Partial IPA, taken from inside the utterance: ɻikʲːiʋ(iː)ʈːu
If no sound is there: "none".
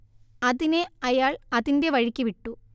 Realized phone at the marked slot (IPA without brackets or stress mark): i